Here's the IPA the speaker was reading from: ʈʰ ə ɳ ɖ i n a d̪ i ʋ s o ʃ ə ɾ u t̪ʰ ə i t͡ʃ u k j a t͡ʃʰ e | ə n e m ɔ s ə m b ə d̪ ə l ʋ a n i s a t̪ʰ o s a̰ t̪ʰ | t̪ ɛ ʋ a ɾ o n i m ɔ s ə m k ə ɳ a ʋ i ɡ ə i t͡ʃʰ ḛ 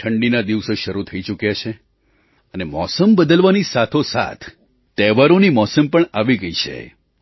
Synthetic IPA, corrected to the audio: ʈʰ ə ɳ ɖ i n a d̪ i ʋ s o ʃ ə ɾ u t̪ʰ ə i t͡ʃ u k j a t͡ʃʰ e | ə n e m ɔ s ə m b ə d̪ ə l ʋ a n i s a t̪ʰ o s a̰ t̪ʰ | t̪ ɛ ʋ a ɾ o n i m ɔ s ə m p ə ɳ a ʋ i ɡ ə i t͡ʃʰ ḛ